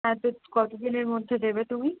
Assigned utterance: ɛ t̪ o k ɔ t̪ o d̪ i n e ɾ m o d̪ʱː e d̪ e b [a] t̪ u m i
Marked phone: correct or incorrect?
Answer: incorrect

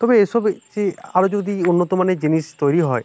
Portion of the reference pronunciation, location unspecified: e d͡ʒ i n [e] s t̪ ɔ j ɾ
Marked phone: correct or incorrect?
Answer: incorrect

